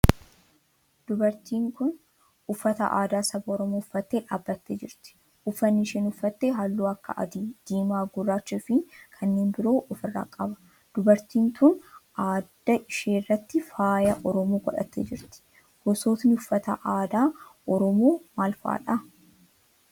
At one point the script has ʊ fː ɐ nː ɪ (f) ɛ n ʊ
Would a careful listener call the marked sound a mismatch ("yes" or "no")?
yes